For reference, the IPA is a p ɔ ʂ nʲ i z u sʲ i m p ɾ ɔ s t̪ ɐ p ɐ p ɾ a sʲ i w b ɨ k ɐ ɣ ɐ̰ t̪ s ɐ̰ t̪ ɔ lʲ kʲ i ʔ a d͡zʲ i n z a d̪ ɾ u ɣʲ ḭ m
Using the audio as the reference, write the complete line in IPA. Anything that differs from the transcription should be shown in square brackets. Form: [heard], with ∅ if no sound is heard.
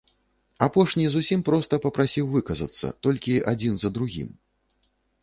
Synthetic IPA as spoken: a p ɔ ʂ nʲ i z u sʲ i m p ɾ ɔ s t̪ ɐ p ɐ p ɾ a sʲ i w [v] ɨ k ɐ [z] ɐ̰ t̪ [sː] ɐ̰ t̪ ɔ lʲ kʲ i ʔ a d͡zʲ i n z [ɐ] d̪ ɾ u ɣʲ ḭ m